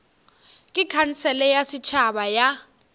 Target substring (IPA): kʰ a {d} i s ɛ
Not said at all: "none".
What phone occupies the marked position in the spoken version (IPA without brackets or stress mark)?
n